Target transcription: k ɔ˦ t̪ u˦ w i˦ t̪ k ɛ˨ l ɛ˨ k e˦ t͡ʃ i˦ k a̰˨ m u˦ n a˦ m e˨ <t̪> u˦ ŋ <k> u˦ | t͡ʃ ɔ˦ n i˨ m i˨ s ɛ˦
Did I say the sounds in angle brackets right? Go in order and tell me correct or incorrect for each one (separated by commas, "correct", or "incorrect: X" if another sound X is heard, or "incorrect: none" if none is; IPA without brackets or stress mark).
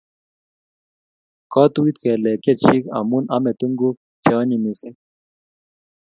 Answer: correct, incorrect: ɡ